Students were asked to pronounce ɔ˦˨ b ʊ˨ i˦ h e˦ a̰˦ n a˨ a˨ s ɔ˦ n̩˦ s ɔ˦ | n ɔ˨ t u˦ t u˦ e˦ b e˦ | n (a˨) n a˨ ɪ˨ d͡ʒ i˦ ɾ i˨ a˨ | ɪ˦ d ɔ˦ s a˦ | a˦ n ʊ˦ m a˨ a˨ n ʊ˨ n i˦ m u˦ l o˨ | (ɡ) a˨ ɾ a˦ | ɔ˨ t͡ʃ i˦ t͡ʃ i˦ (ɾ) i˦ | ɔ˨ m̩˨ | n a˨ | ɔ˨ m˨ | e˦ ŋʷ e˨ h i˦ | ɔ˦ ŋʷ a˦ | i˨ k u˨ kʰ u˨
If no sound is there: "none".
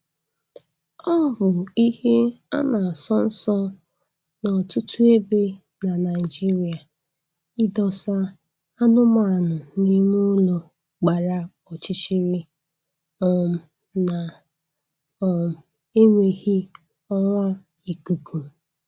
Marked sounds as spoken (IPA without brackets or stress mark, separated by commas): a˨, ɡ͡b, ɾ